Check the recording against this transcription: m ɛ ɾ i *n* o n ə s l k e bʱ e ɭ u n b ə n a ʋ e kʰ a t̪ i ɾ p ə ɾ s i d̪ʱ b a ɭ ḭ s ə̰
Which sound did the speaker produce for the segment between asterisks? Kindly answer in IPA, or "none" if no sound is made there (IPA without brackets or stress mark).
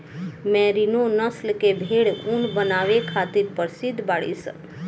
n